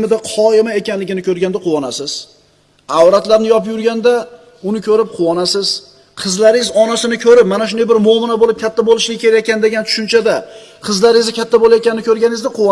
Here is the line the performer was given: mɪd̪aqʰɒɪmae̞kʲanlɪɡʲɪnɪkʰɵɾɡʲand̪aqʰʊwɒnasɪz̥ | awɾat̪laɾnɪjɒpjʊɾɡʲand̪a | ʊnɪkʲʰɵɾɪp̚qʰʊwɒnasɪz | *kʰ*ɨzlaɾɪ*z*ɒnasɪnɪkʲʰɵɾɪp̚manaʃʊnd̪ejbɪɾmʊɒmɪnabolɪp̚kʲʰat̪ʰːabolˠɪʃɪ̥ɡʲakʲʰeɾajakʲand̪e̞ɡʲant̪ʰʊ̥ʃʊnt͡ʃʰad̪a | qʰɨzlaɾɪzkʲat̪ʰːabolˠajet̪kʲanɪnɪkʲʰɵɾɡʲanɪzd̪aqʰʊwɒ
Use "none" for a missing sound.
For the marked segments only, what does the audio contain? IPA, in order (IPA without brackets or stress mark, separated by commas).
qʰ, z